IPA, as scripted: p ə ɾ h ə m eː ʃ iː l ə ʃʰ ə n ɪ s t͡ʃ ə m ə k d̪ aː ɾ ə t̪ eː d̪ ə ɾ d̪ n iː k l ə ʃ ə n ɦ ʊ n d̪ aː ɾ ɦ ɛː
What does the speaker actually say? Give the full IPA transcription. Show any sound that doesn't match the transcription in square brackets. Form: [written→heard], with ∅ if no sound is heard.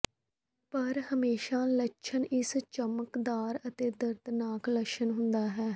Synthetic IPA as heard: p ə ɾ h ə m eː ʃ [iː→aː] l ə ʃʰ ə n ɪ s t͡ʃ ə m ə k d̪ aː ɾ ə t̪ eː d̪ ə ɾ d̪ n [iː→aː] k l ə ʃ ə n ɦ ʊ n d̪ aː [ɾ→∅] ɦ ɛː